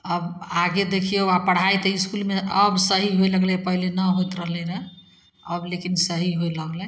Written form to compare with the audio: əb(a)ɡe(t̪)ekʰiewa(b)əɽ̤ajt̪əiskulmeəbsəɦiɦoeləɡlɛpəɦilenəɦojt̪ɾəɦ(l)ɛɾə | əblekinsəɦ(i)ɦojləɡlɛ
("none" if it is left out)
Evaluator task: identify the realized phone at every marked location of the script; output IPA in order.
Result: a, d̪, p, l, i

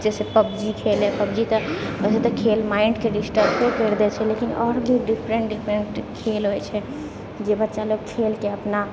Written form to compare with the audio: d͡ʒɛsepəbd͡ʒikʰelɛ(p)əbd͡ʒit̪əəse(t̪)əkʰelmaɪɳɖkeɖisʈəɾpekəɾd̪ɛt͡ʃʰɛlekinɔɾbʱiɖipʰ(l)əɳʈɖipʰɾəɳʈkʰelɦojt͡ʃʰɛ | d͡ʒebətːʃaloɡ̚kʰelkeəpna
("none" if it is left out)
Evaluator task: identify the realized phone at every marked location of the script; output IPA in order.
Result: p, t̪, ɾ

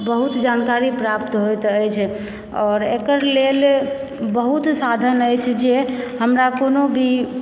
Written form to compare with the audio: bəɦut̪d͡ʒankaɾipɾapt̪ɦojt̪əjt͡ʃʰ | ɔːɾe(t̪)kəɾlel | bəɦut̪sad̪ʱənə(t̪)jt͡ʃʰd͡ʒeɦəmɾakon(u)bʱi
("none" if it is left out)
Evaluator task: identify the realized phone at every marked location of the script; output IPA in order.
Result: none, none, o

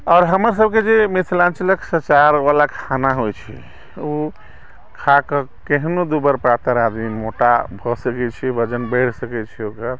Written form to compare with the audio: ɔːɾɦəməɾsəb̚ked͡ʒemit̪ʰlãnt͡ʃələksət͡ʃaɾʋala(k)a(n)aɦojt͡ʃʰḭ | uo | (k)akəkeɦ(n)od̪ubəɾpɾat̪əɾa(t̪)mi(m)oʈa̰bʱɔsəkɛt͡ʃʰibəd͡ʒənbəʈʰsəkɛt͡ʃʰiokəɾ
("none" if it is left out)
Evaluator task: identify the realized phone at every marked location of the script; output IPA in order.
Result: kʰ, n, kʰ, n, d̪, m

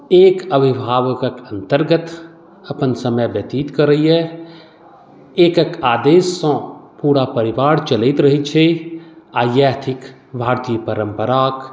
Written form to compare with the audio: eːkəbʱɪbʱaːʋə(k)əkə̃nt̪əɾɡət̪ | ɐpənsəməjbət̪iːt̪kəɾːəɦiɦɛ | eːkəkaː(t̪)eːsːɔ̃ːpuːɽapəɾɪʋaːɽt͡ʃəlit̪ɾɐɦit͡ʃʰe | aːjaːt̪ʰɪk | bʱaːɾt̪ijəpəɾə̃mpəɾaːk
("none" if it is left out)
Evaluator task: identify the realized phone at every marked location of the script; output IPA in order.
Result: k, d̪

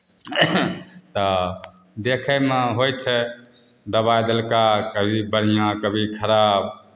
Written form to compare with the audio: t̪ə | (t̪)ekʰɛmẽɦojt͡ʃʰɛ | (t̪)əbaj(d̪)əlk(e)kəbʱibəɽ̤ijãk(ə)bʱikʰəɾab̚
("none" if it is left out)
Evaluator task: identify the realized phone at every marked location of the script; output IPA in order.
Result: d̪, d̪, d̪, a, ə

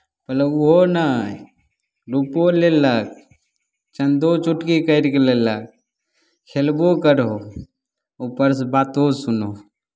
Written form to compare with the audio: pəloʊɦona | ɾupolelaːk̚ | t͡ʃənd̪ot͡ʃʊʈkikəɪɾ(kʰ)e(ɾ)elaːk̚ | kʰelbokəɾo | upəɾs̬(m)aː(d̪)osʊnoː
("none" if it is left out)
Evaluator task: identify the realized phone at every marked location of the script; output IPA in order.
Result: k, l, b, t̪

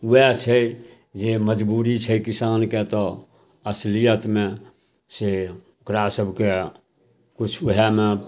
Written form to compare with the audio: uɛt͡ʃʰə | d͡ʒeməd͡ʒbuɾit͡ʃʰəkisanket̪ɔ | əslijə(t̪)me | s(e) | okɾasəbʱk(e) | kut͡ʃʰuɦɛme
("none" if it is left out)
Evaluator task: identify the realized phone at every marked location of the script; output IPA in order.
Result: t̪, e, e

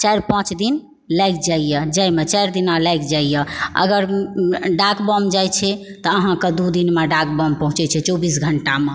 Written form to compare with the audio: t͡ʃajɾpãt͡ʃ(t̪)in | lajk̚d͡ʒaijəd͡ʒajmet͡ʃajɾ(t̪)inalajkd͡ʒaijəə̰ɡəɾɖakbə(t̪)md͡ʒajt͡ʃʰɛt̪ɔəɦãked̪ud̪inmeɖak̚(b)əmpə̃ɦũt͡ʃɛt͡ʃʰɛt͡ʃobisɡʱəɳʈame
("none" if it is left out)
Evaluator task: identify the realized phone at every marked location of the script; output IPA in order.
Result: d̪, d̪, none, b

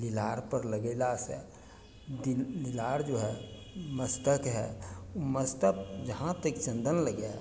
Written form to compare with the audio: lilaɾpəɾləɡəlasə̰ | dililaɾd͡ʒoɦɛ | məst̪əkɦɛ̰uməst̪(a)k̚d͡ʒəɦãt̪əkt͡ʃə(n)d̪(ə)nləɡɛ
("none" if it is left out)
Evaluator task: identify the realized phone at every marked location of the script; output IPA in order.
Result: ə, n, ə

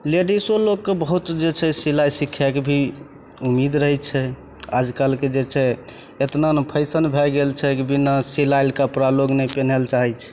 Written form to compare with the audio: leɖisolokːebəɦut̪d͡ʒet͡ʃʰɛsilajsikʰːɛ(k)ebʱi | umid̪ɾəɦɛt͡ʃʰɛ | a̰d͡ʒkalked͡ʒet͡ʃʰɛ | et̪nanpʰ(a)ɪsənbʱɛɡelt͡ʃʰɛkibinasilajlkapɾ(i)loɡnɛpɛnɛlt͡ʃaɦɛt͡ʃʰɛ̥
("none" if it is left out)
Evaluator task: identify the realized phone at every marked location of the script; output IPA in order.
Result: k, ə, a

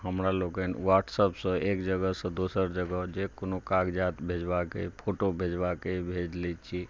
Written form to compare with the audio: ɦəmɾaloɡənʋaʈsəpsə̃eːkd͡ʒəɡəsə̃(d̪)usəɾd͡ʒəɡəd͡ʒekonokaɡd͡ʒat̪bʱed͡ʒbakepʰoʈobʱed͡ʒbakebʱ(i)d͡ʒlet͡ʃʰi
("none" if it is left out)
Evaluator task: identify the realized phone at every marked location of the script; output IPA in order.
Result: d̪, e

